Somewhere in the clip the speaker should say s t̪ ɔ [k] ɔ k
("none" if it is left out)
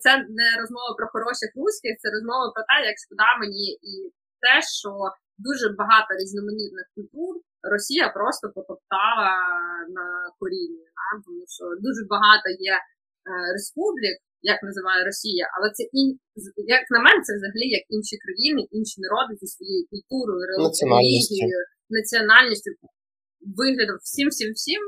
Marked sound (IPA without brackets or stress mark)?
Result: p